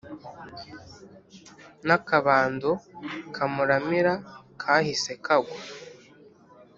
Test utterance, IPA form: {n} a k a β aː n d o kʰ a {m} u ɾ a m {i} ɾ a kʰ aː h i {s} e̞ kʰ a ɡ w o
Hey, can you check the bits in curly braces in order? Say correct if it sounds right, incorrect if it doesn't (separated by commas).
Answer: correct, correct, correct, correct